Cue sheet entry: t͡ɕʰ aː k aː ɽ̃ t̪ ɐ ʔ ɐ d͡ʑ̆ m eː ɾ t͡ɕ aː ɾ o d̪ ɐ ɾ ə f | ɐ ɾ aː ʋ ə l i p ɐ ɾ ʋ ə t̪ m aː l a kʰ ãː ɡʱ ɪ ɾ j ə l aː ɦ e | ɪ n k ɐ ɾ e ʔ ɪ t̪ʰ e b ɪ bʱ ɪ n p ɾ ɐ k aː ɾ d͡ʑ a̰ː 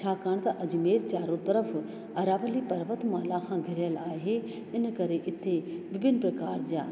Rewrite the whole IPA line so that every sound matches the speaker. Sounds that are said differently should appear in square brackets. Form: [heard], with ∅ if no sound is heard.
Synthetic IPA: t͡ɕʰ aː k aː ɽ̃ t̪ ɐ ʔ ɐ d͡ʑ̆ m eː ɾ t͡ɕ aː ɾ o [t̪] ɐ ɾ ə f | ɐ ɾ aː ʋ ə l i p ɐ ɾ ʋ ə t̪ m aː l a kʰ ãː ɡʱ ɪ ɾ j ə l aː ɦ e | ɪ n k ɐ ɾ e ʔ ɪ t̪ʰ e b ɪ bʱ ɪ n p ɾ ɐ k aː ɾ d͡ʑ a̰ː